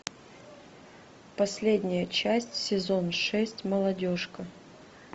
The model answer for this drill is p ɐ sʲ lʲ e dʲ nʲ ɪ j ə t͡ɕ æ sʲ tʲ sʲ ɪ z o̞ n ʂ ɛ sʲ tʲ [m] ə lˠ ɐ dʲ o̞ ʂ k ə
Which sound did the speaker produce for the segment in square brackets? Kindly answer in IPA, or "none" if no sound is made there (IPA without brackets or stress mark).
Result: m